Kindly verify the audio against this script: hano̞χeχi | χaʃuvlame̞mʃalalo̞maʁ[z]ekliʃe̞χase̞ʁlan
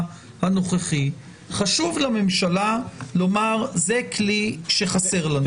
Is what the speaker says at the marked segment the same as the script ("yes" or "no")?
yes